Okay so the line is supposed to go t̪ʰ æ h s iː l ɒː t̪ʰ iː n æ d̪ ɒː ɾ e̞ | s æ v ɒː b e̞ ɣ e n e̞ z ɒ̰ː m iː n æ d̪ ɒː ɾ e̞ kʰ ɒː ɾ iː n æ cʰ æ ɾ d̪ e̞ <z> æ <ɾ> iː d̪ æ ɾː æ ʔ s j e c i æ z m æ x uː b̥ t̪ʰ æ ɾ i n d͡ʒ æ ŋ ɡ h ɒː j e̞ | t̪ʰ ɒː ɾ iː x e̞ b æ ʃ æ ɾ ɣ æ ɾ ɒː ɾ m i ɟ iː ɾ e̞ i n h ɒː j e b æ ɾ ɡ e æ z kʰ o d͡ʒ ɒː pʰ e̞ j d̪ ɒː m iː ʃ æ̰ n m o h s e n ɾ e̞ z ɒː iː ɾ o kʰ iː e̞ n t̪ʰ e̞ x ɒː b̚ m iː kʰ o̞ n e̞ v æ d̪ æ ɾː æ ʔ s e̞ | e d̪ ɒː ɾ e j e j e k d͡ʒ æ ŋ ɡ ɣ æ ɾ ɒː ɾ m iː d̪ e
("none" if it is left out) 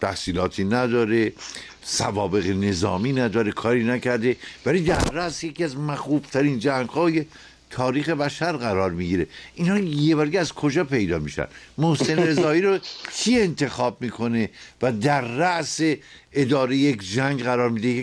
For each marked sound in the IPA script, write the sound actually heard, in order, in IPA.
v, l

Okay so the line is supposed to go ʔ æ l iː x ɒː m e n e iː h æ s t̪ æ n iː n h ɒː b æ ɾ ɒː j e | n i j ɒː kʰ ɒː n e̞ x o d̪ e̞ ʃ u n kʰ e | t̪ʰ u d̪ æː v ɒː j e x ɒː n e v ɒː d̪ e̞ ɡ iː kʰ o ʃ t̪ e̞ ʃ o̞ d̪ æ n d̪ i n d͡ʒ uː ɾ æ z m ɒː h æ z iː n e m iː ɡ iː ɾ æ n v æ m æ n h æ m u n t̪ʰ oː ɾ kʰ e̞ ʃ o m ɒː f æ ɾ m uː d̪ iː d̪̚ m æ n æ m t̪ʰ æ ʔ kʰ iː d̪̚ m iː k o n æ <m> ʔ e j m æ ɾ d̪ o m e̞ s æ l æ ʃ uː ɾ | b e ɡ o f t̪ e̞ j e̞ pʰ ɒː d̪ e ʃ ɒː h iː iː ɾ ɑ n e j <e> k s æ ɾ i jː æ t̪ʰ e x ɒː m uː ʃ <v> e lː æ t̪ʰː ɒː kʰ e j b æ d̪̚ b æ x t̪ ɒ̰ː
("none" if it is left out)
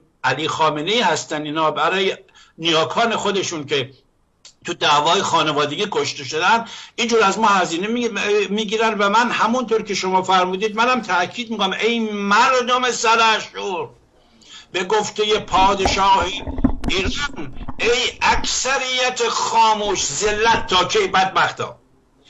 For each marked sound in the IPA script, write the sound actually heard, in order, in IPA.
m, æ, z

